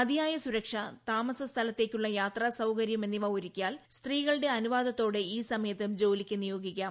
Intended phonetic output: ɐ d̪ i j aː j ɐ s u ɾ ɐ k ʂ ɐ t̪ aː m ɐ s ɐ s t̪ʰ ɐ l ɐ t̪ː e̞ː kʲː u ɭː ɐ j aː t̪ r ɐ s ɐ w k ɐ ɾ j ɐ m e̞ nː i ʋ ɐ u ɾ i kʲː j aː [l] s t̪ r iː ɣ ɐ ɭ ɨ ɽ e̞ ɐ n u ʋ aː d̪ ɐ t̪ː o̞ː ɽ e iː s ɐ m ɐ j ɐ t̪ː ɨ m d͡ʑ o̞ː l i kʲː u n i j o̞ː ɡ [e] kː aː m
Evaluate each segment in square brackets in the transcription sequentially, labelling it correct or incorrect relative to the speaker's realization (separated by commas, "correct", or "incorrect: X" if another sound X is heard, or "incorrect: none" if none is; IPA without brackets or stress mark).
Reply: correct, incorrect: i